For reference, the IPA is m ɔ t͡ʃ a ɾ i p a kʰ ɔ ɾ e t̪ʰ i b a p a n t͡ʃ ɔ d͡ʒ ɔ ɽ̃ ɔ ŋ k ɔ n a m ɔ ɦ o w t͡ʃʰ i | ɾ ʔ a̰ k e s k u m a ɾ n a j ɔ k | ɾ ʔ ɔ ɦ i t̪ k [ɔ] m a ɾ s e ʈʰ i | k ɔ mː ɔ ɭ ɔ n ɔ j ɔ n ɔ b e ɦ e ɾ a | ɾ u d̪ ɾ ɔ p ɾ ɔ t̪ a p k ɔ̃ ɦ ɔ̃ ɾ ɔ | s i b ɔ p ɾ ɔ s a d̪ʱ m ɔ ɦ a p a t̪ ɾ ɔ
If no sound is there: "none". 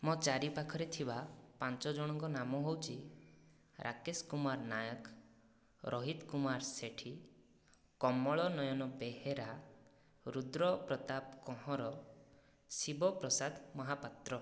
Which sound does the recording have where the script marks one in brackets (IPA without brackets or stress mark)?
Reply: u